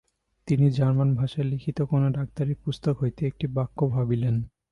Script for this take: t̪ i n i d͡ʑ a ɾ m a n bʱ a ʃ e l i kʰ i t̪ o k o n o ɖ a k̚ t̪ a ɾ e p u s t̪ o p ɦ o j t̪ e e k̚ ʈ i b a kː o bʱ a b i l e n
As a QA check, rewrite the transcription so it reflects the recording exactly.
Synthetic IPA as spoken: t̪ i n i d͡ʑ a ɾ m a n bʱ a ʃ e l i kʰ i t̪ o k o n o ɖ a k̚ t̪ a ɾ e p u s t̪ o k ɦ o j t̪ e e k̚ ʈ i b a kː o bʱ a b i l e n

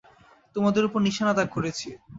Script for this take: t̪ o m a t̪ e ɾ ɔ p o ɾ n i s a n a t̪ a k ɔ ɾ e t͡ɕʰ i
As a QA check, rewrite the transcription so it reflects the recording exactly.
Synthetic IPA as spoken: t̪ o m a d̪ e ɾ u p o ɾ n i ʃ a n a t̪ a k o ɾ e t͡ɕʰ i

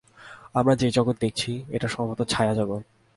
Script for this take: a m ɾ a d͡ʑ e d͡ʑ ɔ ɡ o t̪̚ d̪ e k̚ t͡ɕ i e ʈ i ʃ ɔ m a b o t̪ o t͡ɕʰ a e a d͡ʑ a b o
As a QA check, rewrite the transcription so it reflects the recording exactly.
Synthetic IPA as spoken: a m ɾ a d͡ʑ e d͡ʑ ɔ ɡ o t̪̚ d̪ e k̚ t͡ɕʰ i e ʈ a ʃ ɔ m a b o t̪ o t͡ɕʰ a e a d͡ʑ a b o

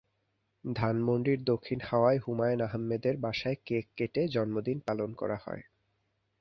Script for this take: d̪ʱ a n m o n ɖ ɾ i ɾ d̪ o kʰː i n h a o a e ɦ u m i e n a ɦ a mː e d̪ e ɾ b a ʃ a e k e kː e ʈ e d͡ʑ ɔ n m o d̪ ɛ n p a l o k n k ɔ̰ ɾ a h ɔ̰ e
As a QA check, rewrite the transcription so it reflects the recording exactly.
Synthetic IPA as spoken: d̪ʱ a n m o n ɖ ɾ i ɾ d̪ o kʰː i n h a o a e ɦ u m a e n a ɦ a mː e d̪ e ɾ b a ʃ a e k e kː e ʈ e d͡ʑ ɔ n m o d̪ i n p a l o n k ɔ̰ ɾ a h ɔ̰ e

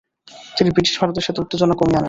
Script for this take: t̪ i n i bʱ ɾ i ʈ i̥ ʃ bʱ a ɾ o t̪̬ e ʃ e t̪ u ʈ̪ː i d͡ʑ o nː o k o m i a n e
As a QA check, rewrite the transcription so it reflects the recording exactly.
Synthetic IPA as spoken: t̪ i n i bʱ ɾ i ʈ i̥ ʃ bʱ a ɾ o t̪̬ e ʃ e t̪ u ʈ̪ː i d͡ʑ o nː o k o m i a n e

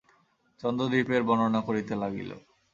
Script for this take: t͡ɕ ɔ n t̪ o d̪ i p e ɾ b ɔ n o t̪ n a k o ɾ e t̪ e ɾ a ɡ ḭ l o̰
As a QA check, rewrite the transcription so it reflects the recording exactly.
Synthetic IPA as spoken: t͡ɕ ɔ n d̪ o d̪ i p e ɾ b ɔ n o n a k o ɾ i t̪ e l a ɡ ḭ l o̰

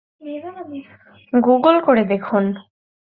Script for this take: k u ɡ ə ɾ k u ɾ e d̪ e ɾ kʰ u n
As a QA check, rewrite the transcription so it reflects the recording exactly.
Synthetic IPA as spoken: ɡ u ɡ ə l k o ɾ e d̪ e kʰ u n

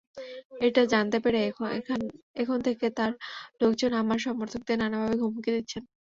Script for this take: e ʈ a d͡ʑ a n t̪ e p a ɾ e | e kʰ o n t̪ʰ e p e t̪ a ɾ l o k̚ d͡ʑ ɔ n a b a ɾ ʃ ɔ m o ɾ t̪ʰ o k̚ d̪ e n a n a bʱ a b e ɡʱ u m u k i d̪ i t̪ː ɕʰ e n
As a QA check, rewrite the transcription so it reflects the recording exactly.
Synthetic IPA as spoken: e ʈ a d͡ʑ a n t̪ e p e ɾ e | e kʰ o n t̪ʰ e k e t̪ a ɾ l o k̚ d͡ʑ o n a m a ɾ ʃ ɔ m o ɾ t̪ʰ o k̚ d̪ e n a n a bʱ a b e ɡʱ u m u k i d̪ i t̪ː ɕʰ e n

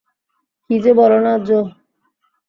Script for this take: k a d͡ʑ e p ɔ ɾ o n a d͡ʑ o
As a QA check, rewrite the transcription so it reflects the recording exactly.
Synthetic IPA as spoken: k i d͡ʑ e b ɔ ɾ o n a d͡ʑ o

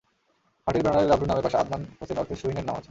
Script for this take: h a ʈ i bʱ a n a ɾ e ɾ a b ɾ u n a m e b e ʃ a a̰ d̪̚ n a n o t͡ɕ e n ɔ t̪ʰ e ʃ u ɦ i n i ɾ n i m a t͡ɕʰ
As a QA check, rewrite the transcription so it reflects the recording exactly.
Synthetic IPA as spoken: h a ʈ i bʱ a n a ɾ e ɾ a b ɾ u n a m e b a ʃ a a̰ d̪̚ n a n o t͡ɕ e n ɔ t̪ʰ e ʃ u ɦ i n e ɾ n a m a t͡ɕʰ

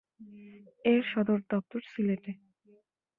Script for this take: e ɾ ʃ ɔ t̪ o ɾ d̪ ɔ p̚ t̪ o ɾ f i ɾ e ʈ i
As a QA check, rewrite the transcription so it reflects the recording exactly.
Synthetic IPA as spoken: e ɾ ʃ ɔ d̪ o ɾ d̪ ɔ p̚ t̪ o ɾ s i l e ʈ e

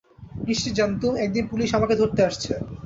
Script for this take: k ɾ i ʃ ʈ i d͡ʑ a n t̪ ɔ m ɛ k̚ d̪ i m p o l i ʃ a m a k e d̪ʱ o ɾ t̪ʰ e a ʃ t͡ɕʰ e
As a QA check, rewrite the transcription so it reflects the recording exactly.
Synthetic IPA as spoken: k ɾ i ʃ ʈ i d͡ʑ a n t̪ u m ɛ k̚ d̪ i n p u l i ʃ a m a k e d̪ʱ o ɾ t̪ e a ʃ t͡ɕʰ e

